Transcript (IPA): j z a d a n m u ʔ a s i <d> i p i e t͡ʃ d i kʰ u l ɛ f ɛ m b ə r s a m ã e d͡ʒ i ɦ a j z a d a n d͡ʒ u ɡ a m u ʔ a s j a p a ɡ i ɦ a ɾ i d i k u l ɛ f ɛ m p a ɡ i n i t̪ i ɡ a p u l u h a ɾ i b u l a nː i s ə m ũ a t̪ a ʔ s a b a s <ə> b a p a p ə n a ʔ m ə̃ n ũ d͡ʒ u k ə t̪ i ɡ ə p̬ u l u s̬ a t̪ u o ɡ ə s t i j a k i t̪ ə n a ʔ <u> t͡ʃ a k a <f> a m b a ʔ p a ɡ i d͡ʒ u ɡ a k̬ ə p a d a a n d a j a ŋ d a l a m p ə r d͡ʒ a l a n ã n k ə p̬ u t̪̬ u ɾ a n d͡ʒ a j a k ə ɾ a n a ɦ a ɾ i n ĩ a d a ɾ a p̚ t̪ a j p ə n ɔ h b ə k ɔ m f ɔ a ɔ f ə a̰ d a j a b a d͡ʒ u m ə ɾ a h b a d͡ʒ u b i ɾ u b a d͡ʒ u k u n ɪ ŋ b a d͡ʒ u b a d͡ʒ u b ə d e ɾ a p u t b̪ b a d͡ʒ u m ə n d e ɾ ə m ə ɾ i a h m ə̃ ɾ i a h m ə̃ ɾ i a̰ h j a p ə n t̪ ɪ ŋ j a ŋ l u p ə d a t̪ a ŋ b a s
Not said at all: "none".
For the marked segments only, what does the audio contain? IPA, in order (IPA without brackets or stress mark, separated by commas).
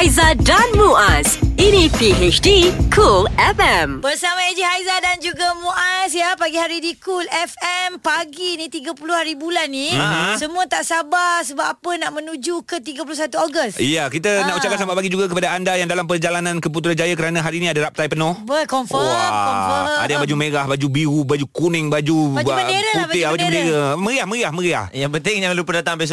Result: n, ə, u, s